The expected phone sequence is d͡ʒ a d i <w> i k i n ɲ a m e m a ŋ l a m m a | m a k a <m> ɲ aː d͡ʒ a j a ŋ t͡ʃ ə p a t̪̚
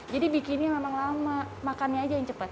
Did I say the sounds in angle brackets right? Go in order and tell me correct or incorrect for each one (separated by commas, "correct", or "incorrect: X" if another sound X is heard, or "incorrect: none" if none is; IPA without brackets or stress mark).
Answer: incorrect: b, incorrect: n